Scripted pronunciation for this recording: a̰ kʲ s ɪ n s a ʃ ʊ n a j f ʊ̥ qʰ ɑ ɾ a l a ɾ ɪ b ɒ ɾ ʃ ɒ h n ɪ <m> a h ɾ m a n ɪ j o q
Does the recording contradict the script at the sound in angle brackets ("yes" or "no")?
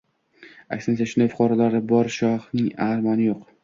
yes